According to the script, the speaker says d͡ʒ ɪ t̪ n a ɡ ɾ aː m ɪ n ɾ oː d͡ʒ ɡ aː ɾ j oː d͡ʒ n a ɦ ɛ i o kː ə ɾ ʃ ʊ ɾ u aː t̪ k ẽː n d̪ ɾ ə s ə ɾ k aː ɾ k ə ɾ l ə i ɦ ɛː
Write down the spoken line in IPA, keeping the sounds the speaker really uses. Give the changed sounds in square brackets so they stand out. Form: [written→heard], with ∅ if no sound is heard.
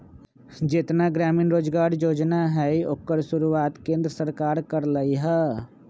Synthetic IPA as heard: d͡ʒ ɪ t̪ n a ɡ ɾ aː m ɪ n ɾ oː d͡ʒ ɡ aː ɾ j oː d͡ʒ n a ɦ ɛ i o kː ə ɾ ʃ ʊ ɾ u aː t̪ k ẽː n d̪ ɾ ə s ə ɾ k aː ɾ k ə ɾ l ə i ɦ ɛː